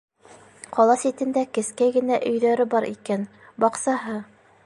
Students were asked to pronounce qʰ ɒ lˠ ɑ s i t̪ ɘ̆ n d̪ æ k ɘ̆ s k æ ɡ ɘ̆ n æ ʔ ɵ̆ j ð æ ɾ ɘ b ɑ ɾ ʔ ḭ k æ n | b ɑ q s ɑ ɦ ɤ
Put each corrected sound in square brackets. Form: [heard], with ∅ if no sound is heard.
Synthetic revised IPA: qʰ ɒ lˠ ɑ s i t̪ ɘ̆ n d̪ æ k ɘ̆ s k æ ɡ ɘ̆ n æ ʔ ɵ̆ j ð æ ɾ ɘ b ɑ ɾ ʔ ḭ k æ n | b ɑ q s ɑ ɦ ɤ